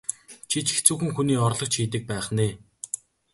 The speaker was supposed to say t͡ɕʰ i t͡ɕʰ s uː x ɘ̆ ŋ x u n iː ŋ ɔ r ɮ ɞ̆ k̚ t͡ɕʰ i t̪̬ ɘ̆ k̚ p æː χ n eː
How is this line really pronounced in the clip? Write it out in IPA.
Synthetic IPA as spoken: t͡ɕʰ i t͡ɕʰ t͡s uː x ɘ̆ ŋ x u n iː ɔ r ɮ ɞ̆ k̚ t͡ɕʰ iː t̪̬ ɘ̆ k̚ p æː χ n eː